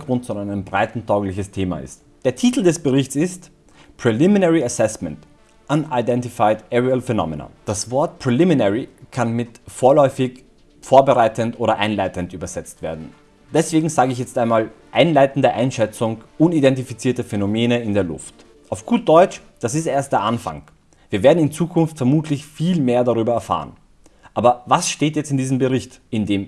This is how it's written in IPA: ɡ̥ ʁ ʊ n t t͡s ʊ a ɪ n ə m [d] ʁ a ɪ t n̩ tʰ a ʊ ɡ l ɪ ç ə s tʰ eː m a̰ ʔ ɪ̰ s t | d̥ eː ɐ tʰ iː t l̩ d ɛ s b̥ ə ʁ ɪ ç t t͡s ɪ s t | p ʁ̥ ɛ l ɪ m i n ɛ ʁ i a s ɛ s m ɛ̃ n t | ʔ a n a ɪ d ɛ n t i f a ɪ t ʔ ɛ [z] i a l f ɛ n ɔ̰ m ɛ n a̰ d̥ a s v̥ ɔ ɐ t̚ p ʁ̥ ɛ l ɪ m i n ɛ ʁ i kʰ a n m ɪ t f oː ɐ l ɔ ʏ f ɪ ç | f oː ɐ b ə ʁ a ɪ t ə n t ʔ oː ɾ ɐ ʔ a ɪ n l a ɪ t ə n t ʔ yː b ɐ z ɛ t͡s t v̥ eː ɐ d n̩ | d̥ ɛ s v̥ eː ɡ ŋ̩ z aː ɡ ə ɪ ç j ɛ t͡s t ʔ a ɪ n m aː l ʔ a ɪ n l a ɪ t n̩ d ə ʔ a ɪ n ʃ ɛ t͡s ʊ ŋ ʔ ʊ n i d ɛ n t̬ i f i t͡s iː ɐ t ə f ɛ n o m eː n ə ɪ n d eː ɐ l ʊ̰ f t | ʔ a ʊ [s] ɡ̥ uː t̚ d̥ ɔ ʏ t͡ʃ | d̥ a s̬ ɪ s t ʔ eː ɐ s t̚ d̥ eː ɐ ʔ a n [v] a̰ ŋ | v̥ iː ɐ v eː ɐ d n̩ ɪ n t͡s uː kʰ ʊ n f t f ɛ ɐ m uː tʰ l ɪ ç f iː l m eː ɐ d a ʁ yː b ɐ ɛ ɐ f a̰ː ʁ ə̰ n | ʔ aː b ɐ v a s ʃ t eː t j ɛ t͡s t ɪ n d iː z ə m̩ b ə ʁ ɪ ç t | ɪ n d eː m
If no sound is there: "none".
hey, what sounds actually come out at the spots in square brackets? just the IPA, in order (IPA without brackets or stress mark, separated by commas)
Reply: b, ʁ, f, f